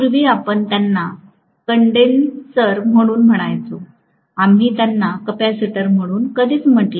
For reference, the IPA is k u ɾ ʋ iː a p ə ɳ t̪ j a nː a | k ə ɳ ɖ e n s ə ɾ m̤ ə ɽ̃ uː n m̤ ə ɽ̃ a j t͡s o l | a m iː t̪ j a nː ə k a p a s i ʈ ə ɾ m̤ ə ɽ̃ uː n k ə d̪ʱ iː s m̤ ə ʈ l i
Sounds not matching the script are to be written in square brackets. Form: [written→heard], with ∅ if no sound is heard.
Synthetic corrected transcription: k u ɾ ʋ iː a p ə ɳ t̪ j a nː a | k ə ɳ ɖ e n s ə ɾ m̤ ə ɽ̃ uː n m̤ ə ɽ̃ a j t͡s o [l→∅] | a m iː t̪ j a nː [ə→a] k [a→ə] p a s i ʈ ə ɾ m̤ ə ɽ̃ uː n k ə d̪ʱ iː [s→t͡s] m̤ ə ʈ l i